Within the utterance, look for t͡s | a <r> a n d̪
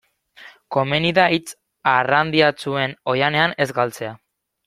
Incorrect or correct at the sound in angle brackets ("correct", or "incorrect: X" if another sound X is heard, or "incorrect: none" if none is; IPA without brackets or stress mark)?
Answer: correct